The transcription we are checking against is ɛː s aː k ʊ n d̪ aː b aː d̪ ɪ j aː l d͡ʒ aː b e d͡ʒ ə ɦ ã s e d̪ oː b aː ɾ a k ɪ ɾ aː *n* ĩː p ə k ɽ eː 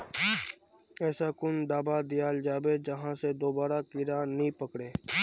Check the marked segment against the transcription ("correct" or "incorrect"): correct